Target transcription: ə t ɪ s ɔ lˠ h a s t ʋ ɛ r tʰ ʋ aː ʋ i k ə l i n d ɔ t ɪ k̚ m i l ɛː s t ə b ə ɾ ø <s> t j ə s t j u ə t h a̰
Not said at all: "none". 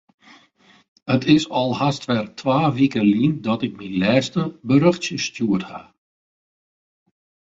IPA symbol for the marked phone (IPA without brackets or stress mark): x